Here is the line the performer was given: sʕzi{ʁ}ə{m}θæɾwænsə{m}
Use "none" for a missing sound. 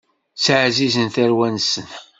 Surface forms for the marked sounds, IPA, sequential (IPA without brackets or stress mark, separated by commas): z, n, n